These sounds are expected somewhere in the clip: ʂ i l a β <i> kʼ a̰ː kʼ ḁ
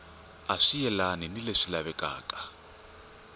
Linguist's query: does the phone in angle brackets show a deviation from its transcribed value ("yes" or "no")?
yes